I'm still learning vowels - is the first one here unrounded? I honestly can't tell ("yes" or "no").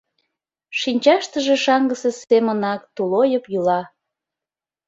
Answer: yes